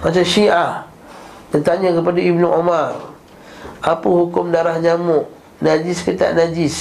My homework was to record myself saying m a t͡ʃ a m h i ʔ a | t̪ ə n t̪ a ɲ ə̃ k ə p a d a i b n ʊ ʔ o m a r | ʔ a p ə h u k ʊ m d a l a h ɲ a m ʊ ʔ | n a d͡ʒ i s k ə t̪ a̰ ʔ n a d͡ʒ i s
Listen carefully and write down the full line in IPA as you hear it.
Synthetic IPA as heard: m a t͡ʃ a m ʃ i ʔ a | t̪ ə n t̪ a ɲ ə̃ k ə p a d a i b n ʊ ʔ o m a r | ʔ a p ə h u k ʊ m d a ɾ a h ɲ a m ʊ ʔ | n a d͡ʒ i s k ə t̪ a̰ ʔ n a d͡ʒ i s